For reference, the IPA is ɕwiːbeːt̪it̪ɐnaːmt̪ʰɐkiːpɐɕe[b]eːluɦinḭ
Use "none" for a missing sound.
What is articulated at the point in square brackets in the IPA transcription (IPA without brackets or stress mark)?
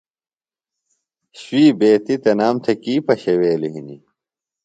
w